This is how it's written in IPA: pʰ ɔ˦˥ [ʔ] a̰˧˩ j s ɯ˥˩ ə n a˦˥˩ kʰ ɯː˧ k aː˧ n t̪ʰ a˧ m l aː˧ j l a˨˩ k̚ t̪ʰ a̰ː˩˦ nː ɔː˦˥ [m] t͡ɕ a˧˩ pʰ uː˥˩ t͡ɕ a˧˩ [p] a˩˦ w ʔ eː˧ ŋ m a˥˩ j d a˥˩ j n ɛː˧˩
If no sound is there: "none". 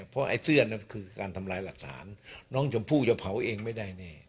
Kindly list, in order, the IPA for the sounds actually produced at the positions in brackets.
ʔ, ŋ, pʰ

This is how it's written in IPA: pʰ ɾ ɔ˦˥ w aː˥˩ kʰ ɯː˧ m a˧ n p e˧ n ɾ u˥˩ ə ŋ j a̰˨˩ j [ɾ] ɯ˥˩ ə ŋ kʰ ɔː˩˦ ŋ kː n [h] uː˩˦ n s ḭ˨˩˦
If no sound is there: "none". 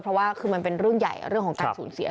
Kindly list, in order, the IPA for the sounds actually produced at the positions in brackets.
ɾ, s

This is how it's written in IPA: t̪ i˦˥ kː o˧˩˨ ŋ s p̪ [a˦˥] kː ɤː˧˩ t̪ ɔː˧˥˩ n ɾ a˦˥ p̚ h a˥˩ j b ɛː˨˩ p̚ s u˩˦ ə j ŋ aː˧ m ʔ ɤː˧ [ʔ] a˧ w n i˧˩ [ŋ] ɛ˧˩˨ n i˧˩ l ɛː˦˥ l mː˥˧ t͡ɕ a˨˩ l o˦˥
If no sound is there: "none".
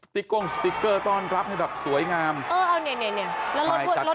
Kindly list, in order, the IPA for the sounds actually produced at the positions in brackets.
i˦˥, ʔ, n

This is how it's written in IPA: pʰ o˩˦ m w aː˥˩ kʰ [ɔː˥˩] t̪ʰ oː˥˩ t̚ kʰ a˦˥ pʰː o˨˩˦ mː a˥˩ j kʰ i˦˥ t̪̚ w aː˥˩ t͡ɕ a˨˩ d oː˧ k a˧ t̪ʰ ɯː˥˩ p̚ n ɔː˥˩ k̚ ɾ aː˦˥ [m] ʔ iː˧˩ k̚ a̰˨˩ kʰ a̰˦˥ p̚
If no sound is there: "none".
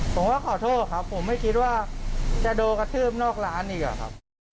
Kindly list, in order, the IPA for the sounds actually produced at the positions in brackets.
ɔː˨˩˦, n

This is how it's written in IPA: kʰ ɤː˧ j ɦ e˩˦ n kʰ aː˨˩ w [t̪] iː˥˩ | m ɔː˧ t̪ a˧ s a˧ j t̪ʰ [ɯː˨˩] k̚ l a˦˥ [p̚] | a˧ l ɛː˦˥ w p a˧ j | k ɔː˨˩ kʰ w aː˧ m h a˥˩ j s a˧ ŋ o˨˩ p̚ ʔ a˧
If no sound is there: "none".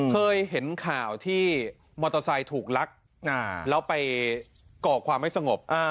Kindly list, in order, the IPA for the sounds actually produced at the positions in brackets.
t̪ʰ, uː˨˩, k̚

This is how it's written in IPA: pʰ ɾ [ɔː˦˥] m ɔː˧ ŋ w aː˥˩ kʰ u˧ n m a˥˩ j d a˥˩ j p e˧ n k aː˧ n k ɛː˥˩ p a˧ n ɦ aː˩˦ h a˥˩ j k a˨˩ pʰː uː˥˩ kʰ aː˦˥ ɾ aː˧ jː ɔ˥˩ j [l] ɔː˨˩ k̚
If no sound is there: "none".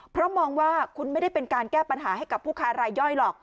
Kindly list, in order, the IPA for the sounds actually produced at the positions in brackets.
ɔ˦˥, l

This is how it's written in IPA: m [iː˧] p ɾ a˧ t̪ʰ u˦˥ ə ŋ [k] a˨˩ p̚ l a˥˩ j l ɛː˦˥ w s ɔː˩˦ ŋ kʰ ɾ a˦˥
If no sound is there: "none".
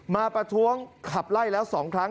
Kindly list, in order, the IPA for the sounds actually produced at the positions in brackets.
aː˧, kʰ

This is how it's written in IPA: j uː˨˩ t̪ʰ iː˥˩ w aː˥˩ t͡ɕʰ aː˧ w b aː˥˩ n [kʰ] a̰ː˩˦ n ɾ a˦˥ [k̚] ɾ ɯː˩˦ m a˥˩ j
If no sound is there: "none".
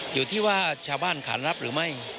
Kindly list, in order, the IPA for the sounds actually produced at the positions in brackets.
kʰ, p̚

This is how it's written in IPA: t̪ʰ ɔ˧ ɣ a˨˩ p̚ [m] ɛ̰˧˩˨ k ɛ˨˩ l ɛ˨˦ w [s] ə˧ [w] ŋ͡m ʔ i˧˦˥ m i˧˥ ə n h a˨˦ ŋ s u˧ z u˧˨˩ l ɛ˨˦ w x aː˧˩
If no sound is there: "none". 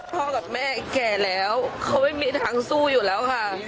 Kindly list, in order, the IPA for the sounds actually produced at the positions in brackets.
m, x, w

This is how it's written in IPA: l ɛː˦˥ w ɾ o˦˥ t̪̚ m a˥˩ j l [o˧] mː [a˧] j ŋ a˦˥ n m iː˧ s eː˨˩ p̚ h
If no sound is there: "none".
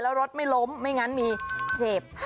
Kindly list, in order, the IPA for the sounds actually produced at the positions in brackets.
o˦˥, a˥˩

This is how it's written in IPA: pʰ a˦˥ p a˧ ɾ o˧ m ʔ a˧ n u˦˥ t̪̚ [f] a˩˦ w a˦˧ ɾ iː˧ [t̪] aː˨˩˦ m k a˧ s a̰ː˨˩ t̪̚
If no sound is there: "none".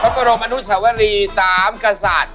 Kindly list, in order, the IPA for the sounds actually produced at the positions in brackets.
s, t̪

